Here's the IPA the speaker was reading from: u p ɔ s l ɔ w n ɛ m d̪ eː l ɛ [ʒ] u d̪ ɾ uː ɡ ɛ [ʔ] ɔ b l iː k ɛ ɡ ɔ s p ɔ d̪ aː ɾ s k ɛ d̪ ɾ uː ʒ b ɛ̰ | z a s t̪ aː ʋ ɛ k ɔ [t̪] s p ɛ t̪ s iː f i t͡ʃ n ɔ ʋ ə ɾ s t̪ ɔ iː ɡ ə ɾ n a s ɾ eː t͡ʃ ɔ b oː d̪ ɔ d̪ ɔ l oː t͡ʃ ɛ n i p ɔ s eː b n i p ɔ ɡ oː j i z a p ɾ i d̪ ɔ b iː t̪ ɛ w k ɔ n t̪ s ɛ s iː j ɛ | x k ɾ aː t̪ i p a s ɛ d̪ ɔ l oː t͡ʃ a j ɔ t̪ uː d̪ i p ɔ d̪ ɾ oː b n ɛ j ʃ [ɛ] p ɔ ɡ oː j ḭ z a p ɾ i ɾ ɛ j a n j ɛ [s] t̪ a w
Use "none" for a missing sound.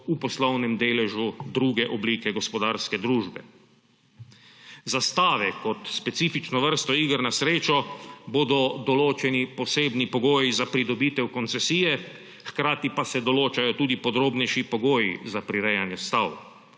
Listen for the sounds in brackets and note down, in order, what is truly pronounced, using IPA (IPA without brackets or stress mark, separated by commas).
ʒ, ʔ, t̪, i, s